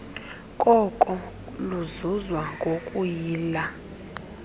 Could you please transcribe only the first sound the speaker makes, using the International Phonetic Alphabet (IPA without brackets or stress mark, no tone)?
kʼ